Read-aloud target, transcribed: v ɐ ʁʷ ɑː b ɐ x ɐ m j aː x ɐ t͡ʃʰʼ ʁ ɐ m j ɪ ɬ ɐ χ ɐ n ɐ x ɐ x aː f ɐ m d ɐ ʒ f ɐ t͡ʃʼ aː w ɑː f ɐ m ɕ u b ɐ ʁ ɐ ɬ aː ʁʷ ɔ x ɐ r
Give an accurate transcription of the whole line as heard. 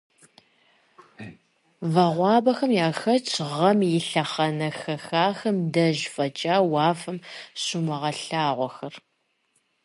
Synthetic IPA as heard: v ɐ ʁʷ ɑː b ɐ x ɐ m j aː x ɐ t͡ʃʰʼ ʁ ɐ m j ɪ ɬ ɐ χ ɐ n ɐ x ɐ x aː x ɐ m d ɐ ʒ f ɐ t͡ʃʼ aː w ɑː f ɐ m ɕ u m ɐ ʁ ɐ ɬ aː ʁʷ ɔ x ɐ r